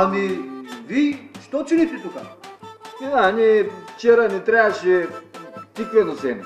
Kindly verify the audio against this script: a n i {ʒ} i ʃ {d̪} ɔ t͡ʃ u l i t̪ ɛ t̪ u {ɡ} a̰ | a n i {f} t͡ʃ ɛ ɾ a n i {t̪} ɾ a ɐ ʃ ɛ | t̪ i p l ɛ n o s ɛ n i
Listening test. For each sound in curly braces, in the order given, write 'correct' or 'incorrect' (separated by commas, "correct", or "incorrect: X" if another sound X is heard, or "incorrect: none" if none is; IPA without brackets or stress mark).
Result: incorrect: v, incorrect: t̪, incorrect: k, correct, correct